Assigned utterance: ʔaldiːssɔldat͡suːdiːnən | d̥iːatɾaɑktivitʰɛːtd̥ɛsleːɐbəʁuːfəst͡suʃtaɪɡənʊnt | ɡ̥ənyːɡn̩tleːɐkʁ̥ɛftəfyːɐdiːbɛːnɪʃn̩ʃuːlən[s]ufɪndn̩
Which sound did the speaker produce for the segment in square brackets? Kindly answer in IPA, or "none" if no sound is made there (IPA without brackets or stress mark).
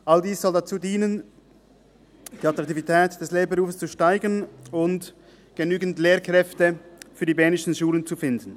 t͡s